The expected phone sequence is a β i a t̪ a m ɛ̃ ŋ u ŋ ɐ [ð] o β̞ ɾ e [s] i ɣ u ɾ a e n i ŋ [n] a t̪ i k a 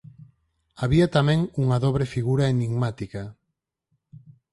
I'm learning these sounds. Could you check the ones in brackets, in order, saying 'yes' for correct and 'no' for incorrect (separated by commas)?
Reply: yes, no, no